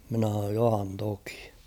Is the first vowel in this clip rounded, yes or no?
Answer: no